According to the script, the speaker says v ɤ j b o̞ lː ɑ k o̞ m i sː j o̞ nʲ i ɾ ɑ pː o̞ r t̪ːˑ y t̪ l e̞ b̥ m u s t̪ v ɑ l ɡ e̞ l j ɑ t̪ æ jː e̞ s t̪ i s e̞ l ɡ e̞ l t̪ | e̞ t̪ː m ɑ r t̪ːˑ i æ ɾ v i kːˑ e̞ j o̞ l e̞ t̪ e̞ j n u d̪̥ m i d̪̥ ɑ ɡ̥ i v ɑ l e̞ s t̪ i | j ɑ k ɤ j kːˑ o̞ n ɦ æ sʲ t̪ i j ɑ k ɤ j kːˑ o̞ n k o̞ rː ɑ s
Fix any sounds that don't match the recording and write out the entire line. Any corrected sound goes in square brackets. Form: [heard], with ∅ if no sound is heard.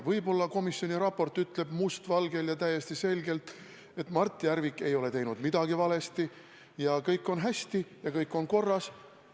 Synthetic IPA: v ɤ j b o̞ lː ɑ k o̞ m i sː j o̞ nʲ i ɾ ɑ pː o̞ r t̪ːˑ y t̪ l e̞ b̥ m u s t̪ v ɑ l ɡ e̞ l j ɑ t̪ æ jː e̞ s t̪ i s e̞ l ɡ e̞ l t̪ | e̞ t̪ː m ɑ r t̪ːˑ i æ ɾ v i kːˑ e̞ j o̞ l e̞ t̪ e̞ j n u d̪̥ m i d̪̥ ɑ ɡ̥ i v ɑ l e̞ s t̪ i | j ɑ k ɤ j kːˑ o̞ n ɦ æ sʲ t̪ i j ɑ k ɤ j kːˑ o̞ n k o̞ rː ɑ s